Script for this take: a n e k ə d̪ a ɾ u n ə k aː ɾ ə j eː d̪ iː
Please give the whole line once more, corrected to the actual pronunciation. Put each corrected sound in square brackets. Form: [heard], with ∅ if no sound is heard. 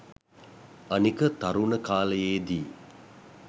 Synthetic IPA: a n [i] k ə [t̪] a ɾ u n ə k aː [l] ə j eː d̪ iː